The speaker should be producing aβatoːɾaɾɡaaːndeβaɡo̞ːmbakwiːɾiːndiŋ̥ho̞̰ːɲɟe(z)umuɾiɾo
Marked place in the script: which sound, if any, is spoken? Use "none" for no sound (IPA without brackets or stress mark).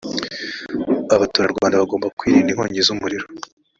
z